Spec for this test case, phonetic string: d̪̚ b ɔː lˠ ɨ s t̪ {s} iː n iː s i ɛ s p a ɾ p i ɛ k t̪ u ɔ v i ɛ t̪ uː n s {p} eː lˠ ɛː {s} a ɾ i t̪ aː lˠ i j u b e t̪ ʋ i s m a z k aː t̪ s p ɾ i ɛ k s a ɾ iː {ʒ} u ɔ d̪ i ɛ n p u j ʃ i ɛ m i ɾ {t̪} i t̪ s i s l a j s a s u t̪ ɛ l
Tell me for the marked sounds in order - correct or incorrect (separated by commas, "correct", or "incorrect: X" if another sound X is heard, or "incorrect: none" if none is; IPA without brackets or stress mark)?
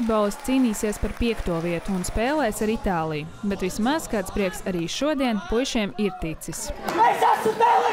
correct, correct, correct, incorrect: ʃ, correct